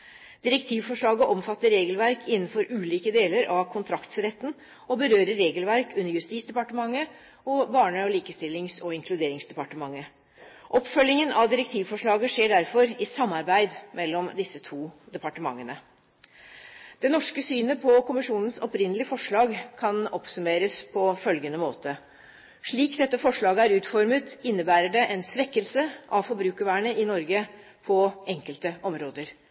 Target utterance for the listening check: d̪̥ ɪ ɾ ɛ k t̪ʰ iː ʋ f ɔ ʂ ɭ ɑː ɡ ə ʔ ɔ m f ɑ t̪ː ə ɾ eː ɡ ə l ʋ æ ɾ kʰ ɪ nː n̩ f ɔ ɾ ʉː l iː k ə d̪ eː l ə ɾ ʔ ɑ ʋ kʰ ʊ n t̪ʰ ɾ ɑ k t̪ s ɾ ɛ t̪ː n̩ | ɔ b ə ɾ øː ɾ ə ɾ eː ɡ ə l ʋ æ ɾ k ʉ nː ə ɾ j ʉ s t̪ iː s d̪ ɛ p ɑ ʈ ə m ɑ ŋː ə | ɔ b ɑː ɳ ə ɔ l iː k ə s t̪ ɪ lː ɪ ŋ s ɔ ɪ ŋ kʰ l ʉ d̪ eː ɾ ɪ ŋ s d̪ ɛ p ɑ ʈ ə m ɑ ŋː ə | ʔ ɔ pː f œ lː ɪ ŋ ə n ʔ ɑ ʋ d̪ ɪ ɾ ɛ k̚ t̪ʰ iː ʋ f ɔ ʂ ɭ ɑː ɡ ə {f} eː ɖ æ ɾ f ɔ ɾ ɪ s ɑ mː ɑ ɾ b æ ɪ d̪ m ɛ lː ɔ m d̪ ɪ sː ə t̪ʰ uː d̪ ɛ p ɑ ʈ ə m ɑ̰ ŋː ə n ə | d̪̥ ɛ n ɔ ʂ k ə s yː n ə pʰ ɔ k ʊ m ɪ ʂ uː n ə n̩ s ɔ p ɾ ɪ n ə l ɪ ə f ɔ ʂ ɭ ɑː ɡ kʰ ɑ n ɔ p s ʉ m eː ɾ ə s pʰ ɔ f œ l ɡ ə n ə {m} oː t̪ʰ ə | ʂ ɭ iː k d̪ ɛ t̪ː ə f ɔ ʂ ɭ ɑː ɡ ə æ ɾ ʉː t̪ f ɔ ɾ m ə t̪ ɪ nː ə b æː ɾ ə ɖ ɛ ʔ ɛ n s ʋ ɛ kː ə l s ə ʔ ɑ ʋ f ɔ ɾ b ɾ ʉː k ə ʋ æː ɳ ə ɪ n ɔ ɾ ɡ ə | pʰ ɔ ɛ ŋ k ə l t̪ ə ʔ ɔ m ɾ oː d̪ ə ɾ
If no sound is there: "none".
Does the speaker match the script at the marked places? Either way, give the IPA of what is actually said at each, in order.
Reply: ʂ, m

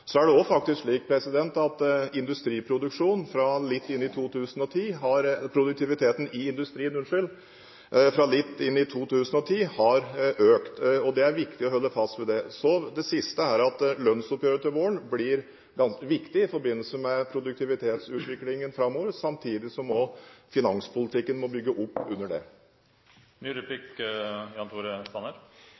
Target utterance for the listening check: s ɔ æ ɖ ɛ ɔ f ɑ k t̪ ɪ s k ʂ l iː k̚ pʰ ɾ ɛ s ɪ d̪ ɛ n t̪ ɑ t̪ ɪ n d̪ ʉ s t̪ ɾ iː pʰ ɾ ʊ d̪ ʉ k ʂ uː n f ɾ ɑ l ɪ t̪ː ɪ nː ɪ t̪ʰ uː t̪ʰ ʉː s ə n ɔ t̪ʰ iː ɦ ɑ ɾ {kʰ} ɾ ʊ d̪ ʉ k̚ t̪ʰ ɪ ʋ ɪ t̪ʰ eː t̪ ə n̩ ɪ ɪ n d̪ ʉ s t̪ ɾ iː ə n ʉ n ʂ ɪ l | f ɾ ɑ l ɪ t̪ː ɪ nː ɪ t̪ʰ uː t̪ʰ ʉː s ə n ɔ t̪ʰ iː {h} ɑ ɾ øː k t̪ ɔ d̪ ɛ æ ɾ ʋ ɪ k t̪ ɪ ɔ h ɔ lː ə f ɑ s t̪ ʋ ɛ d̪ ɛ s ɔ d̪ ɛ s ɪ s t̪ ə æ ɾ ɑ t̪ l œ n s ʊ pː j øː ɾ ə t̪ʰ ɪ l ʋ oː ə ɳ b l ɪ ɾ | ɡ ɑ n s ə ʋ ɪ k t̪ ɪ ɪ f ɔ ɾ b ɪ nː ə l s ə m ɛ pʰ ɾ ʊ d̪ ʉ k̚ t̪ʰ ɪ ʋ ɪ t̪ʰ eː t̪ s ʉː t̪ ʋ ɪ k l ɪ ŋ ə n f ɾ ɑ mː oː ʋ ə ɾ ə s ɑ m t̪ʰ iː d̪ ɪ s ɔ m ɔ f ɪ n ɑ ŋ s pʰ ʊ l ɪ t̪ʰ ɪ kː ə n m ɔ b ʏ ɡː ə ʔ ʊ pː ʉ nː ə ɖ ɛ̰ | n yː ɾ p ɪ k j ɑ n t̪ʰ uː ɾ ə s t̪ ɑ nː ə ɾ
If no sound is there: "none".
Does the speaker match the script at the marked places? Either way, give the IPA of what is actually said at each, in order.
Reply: pʰ, h

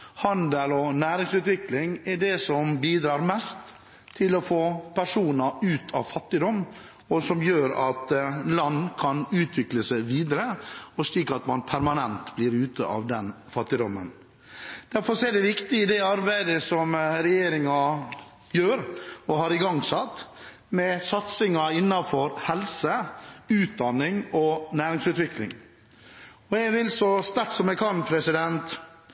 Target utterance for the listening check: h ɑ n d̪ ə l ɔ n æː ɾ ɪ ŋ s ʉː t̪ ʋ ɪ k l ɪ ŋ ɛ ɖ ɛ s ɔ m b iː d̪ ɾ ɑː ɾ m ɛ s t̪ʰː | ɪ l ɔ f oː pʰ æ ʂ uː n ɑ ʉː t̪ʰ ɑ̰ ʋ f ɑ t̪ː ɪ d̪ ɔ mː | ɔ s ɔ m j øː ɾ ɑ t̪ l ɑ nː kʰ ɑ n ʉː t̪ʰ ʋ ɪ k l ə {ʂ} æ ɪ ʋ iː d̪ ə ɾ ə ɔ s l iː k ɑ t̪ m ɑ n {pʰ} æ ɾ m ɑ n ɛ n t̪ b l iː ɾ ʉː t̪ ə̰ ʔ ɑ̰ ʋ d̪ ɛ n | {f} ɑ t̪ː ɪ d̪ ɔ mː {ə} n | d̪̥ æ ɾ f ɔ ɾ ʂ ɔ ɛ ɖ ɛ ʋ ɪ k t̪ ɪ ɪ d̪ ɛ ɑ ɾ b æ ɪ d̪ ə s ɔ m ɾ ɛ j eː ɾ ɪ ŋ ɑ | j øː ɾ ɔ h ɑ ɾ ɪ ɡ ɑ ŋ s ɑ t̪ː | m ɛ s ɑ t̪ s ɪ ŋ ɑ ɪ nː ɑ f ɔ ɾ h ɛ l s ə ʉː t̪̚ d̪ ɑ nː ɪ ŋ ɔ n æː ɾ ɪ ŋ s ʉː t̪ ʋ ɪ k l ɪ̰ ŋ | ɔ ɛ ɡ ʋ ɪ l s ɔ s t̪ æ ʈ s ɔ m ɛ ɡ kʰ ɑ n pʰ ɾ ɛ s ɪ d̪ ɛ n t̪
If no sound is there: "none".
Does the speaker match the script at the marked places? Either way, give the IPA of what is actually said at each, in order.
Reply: s, pʰ, f, ə

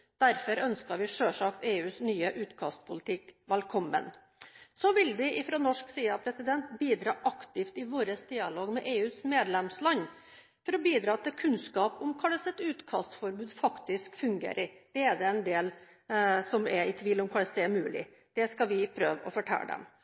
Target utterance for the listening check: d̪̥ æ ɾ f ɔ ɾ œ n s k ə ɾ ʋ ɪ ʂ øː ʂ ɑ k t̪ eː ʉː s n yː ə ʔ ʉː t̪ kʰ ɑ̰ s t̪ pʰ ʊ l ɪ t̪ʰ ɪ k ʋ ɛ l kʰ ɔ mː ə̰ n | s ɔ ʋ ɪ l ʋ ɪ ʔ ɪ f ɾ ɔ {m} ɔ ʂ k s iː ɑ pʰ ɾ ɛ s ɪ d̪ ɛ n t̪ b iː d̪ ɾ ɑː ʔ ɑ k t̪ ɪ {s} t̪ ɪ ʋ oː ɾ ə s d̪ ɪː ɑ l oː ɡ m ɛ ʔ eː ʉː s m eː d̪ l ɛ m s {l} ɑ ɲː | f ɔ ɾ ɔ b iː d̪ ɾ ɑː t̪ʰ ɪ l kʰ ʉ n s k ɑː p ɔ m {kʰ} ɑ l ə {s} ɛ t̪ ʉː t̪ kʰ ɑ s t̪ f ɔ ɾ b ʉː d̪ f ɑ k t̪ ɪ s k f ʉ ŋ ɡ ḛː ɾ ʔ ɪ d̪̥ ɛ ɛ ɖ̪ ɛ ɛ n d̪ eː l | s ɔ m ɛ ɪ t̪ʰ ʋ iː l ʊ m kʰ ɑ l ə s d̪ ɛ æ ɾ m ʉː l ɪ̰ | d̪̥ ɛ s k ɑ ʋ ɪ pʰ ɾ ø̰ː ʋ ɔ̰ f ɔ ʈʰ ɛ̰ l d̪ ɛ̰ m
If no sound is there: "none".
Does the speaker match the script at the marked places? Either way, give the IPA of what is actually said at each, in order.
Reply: n, f, l, kʰ, s

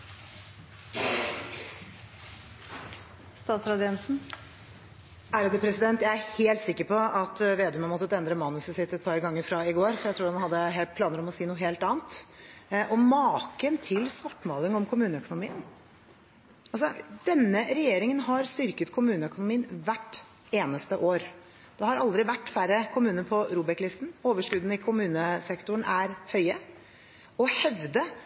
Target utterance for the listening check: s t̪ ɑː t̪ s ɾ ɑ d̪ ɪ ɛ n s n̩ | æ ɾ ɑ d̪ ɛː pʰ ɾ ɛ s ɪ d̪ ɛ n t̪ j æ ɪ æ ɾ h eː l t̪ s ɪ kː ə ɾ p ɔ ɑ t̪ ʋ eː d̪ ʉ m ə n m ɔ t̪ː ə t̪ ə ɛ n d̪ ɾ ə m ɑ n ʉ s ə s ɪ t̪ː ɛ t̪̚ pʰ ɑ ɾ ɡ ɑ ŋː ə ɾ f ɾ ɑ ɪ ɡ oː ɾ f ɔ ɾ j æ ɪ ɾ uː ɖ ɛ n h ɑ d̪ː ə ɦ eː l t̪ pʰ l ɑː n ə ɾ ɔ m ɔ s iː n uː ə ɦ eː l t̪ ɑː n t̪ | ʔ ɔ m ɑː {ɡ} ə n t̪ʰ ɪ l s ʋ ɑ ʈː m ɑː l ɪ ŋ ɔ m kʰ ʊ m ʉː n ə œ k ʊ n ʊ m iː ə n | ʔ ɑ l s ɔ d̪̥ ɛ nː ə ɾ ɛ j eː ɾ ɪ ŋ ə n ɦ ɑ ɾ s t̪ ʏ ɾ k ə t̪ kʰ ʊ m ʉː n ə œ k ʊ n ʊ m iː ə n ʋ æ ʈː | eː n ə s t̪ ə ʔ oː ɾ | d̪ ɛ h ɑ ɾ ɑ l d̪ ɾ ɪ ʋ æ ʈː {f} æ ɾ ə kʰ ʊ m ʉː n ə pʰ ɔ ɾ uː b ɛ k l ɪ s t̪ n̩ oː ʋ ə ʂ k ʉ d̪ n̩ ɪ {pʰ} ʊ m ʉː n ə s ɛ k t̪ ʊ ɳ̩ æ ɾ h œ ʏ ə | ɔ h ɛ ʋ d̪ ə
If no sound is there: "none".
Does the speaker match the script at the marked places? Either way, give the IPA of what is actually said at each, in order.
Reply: k, f, kʰ

